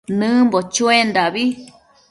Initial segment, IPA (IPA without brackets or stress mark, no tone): n